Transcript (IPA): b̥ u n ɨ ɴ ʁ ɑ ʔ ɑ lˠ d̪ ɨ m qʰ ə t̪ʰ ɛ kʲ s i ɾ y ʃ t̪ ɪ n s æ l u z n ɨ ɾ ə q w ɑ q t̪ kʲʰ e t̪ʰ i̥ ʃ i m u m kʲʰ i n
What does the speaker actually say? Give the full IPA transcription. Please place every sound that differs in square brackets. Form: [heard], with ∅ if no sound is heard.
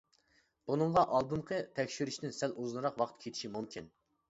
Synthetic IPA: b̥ u n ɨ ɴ ʁ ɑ ʔ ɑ lˠ d̪ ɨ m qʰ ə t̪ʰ ɛ kʲ [ʃ] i ɾ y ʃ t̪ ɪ n s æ l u z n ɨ ɾ [ɑ] q w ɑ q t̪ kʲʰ e t̪ʰ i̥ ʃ i m u m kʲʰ i n